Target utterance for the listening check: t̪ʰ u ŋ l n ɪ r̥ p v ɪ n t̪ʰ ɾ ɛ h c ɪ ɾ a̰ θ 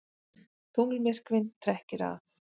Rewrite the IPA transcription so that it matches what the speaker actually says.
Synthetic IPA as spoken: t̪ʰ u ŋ l m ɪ r̥ k v ɪ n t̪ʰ ɾ ɛ h c ɪ ɾ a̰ θ

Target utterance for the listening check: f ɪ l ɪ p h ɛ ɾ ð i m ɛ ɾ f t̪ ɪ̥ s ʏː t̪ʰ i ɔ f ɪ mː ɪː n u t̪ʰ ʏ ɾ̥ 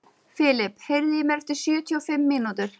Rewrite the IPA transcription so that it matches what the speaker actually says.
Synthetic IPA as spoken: f ɪ l ɪ p h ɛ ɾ ð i m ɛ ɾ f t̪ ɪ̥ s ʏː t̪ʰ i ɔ f ɪ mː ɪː n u t̪ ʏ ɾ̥

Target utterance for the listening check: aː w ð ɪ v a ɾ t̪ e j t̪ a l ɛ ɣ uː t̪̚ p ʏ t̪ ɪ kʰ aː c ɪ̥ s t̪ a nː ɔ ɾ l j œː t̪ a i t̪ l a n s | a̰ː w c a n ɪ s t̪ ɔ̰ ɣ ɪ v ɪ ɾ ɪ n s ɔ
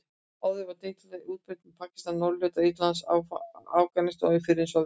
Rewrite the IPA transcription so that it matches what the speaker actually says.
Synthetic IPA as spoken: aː w ð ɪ v a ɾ t̪ e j t̪ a l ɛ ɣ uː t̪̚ p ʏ t̪ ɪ pʰ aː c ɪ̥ s t̪ a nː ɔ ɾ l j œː t̪ a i t̪ l a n s | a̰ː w k a n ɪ s t̪ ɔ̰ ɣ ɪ f ɪ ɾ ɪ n s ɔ

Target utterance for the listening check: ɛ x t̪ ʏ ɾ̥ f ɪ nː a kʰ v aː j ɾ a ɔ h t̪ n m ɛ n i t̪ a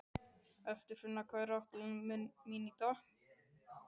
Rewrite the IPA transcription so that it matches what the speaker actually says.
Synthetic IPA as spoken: ɛ f t̪ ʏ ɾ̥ f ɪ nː a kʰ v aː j ɾ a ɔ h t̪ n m i n i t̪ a

